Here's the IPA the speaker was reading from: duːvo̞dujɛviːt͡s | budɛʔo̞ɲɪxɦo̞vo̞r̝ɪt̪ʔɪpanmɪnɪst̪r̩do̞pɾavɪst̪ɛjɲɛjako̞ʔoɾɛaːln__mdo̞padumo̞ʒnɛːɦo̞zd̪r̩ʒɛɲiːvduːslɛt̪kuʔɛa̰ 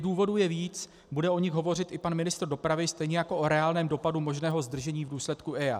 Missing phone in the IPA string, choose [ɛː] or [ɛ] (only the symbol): ɛː